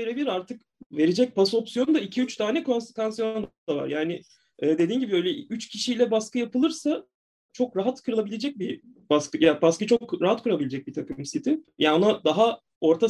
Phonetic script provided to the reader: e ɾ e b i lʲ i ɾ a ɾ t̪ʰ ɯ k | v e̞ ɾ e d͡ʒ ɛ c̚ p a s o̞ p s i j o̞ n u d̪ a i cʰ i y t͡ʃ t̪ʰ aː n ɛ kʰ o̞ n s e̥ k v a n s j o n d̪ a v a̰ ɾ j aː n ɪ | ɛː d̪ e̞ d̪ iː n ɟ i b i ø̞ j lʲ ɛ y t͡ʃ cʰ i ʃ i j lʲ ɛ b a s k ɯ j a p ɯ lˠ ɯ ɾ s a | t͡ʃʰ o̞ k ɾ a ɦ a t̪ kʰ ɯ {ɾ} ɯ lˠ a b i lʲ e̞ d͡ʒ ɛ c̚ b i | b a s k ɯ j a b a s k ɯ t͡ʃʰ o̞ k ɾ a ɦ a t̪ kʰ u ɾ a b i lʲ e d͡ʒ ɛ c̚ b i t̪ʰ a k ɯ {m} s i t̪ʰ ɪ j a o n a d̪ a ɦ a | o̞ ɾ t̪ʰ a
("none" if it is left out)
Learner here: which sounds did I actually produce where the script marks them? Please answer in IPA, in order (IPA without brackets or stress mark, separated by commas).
ɾ, m